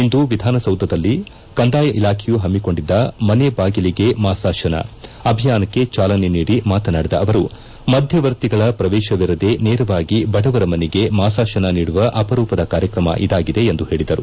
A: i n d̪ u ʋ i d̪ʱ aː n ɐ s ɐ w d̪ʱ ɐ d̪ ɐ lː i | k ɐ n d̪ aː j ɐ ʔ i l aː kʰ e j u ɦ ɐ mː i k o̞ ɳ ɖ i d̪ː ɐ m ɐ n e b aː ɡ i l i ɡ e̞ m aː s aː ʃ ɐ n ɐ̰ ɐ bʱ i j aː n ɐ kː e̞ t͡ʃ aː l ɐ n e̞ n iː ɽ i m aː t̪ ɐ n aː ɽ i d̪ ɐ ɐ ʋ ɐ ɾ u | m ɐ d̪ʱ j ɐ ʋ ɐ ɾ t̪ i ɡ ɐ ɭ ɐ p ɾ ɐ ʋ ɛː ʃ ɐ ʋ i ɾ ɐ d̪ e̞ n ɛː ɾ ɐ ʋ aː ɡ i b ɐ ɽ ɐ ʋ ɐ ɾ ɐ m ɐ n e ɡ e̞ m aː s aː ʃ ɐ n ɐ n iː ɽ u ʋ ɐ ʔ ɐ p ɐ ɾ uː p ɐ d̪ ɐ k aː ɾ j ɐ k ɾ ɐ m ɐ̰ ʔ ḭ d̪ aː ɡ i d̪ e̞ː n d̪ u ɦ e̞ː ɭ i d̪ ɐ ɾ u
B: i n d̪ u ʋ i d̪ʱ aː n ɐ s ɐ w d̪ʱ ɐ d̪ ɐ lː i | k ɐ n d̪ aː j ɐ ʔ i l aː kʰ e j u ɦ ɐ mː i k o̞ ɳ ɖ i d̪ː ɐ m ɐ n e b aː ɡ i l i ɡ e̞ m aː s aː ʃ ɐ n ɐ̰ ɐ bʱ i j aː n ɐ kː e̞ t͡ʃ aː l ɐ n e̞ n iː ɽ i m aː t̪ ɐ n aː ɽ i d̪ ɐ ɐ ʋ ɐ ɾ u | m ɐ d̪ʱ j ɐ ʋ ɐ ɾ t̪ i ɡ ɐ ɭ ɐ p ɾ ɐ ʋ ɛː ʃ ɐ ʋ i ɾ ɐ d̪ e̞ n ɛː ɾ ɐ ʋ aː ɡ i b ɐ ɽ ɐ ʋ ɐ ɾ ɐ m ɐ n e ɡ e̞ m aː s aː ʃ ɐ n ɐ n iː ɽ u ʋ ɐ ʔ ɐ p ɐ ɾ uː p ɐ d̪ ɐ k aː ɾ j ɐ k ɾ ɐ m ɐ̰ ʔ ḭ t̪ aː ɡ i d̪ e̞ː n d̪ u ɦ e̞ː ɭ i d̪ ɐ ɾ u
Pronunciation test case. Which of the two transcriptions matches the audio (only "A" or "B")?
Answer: A